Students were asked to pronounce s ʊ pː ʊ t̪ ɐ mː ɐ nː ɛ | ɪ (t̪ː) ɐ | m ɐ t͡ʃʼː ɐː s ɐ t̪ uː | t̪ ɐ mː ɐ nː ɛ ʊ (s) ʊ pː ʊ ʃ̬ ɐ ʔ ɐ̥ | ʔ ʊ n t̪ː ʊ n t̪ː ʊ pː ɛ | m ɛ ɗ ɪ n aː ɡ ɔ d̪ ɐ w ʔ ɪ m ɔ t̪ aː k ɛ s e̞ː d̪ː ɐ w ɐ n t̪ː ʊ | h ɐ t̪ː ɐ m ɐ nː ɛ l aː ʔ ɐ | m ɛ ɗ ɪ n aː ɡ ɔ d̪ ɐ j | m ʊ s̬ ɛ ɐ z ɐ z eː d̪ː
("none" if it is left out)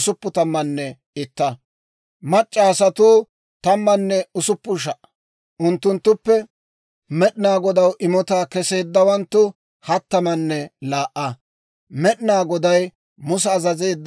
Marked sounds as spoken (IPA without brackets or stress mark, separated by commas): t̪ː, s